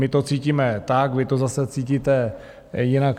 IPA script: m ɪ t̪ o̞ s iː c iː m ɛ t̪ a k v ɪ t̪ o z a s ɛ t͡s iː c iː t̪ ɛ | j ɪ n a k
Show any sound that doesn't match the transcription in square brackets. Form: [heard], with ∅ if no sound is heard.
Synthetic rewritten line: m ɪ t̪ o̞ [t͡s] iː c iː m ɛ t̪ a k v ɪ t̪ o z a s ɛ t͡s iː c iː t̪ ɛ | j ɪ n a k